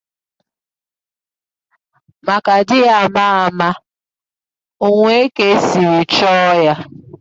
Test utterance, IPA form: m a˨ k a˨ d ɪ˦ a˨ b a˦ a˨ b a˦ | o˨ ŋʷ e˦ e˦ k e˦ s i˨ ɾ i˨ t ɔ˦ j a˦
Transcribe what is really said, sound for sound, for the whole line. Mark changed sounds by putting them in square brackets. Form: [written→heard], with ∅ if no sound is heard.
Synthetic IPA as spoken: m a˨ k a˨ d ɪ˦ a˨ [b→m] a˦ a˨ [b→m] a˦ | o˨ ŋʷ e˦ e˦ k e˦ s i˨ ɾ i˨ [t→t͡ʃ] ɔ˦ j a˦